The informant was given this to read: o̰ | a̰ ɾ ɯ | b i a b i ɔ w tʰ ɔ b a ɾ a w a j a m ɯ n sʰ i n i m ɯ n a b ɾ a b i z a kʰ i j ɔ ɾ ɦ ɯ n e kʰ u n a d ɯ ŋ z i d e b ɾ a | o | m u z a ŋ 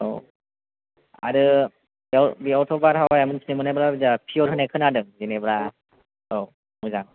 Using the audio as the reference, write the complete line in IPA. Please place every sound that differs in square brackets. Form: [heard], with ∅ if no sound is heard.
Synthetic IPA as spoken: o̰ | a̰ ɾ ɯ | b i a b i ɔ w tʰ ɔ b a ɾ a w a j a m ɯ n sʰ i n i m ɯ n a b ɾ a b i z a [pʰ] i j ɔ ɾ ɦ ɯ n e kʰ [ɯ] n a d ɯ ŋ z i [n] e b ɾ a | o | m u z a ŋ